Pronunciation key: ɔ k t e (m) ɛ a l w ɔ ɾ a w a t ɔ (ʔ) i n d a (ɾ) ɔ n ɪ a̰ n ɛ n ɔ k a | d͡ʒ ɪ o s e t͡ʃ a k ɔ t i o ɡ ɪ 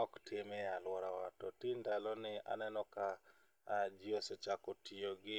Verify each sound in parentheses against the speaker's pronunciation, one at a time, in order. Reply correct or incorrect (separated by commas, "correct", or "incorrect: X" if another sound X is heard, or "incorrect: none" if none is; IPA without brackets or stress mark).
correct, incorrect: t, incorrect: l